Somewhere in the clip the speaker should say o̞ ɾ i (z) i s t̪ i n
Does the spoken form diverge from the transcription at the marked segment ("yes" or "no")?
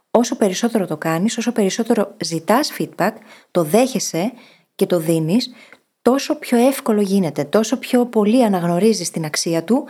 no